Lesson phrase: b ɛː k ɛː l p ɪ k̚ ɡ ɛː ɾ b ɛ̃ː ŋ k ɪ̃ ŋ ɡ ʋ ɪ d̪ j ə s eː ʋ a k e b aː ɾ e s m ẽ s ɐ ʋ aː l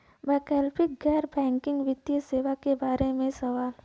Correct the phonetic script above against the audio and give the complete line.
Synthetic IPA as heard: b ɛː k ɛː l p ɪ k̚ ɡ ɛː ɾ b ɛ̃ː ŋ k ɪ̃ ŋ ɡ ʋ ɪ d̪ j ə s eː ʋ a k e b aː ɾ e m ẽ s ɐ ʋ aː l